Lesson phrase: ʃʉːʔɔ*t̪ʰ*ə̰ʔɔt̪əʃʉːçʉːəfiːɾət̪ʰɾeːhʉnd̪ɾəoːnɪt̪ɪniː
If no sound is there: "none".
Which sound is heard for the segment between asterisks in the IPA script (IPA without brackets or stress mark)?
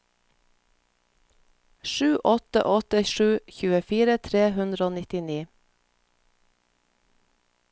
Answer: t̪